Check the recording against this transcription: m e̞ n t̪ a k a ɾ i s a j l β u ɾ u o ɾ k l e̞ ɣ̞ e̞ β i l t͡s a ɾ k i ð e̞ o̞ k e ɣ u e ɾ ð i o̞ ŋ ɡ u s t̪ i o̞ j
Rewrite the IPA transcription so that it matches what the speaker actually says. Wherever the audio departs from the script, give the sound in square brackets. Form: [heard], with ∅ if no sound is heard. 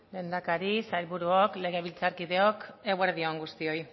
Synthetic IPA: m e̞ n [d̪] a k a ɾ i s a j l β u ɾ u o [∅] k l e̞ ɣ̞ e̞ β i l t͡s a ɾ k i ð e̞ o̞ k e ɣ [w] e ɾ ð i o̞ ŋ ɡ u s t̪ i o̞ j